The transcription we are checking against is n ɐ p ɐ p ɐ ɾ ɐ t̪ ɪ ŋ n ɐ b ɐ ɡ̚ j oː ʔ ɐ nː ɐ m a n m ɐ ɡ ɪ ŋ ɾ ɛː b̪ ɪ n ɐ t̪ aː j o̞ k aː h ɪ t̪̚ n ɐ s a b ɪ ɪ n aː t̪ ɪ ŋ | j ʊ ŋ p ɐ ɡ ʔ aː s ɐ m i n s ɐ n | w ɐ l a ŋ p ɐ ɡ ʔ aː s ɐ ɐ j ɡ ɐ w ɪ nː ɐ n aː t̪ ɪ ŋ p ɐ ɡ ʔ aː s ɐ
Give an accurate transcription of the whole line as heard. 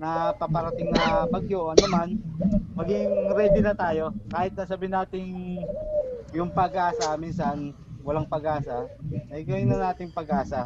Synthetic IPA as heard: n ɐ p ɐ p ɐ ɾ ɐ t̪ ɪ ŋ n ɐ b ɐ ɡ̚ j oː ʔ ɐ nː ɐ m a n m ɐ ɡ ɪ ŋ ɾ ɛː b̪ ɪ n ɐ t̪ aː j o̞ k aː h ɪ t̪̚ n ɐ s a b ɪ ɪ n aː t̪ ɪ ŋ | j ʊ ŋ p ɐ ɡ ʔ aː s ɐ m i n s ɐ n | w ɐ l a ŋ p ɐ ɡ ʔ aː s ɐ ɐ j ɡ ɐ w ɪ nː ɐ n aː t̪ ɪ ŋ p ɐ ɡ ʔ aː s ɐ